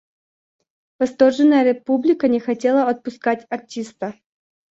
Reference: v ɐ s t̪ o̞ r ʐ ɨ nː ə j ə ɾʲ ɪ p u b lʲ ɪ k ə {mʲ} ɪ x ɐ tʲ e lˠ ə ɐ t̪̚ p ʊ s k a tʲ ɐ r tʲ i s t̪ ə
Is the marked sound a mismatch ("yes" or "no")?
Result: yes